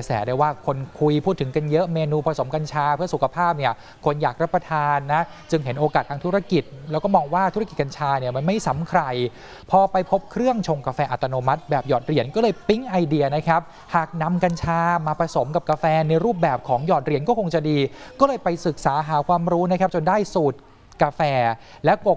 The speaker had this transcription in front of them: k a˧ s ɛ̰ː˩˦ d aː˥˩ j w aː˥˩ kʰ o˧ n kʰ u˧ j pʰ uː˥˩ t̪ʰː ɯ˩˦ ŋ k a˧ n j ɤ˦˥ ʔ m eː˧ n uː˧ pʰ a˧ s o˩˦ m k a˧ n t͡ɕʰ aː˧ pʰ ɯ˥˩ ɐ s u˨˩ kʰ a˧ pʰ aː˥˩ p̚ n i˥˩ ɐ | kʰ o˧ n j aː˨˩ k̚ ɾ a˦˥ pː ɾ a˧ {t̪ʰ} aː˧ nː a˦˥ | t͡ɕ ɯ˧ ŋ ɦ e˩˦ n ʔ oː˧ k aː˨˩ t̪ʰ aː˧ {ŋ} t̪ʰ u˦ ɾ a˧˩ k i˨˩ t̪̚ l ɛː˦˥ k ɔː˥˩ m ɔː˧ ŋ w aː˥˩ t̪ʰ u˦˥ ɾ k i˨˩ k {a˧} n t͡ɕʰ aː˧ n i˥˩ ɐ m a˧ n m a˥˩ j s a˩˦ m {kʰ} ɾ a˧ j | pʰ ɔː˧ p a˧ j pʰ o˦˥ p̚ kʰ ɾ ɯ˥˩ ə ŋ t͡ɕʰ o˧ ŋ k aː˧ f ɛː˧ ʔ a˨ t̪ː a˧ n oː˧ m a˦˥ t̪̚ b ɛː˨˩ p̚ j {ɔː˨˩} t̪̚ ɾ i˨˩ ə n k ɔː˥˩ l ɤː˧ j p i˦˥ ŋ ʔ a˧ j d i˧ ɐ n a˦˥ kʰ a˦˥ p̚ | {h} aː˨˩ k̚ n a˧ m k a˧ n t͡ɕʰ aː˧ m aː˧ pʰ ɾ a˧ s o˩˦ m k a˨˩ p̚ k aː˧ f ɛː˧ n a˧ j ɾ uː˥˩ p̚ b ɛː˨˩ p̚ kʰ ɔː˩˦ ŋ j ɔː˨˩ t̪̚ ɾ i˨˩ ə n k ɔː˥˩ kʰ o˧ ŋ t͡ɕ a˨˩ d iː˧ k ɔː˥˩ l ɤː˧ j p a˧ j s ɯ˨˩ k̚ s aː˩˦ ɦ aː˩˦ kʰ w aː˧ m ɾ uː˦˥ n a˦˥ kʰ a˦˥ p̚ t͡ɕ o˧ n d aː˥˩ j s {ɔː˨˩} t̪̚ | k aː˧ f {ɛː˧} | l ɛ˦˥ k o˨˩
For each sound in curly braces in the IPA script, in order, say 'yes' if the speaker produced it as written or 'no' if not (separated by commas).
yes, yes, yes, yes, yes, yes, no, yes